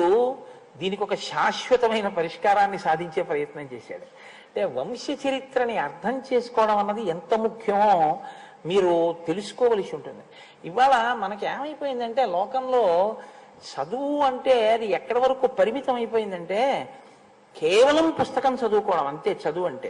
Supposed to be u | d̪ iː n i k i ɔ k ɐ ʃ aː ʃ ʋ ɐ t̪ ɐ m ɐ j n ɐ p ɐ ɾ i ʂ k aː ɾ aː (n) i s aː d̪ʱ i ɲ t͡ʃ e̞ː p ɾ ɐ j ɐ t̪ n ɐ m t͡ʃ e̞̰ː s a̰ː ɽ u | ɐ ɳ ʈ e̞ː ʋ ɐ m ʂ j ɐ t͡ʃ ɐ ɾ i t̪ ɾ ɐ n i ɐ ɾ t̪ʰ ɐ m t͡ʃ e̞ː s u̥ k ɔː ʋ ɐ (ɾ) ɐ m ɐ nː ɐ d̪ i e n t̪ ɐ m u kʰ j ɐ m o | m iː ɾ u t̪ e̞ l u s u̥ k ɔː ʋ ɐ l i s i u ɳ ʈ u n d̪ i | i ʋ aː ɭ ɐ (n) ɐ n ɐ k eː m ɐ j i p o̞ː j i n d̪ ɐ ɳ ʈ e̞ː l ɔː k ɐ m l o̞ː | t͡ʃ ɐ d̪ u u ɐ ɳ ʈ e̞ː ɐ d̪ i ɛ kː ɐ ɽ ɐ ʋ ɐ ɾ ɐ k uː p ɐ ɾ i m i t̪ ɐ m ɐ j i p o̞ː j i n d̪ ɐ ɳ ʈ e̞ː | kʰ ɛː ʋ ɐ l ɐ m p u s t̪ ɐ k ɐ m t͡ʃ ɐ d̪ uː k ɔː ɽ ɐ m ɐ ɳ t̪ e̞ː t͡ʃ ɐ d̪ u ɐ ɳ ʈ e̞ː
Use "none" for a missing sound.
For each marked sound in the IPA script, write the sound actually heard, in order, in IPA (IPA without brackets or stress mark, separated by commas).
nː, ɽ, m